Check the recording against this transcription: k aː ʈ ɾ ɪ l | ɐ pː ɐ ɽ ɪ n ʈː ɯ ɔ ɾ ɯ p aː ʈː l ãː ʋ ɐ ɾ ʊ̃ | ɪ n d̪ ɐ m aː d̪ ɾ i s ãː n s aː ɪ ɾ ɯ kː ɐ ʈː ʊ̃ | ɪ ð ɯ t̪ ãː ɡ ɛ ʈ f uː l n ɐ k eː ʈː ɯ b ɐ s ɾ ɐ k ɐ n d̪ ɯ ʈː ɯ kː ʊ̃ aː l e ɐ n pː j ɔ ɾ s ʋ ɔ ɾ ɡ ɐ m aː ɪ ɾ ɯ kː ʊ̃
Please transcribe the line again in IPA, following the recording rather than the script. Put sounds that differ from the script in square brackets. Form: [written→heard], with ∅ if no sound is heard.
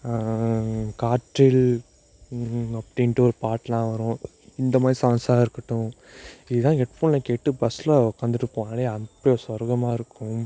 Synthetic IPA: k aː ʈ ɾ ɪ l | ɐ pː ɐ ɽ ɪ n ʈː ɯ ɔ ɾ ɯ p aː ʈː l ãː ʋ ɐ ɾ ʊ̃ | ɪ n d̪ ɐ m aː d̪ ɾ i s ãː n s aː ɪ ɾ ɯ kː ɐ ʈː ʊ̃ | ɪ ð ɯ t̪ ãː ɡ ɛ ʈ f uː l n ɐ k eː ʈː ɯ b ɐ s [ɾ→l] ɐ k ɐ n d̪ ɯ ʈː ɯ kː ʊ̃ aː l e ɐ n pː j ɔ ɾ s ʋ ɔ ɾ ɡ ɐ m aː ɪ ɾ ɯ kː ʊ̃